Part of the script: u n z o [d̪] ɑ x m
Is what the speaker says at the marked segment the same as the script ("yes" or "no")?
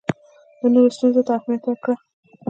no